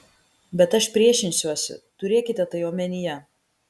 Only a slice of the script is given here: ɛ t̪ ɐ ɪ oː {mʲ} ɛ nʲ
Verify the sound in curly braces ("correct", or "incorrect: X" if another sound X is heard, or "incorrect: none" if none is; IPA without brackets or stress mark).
correct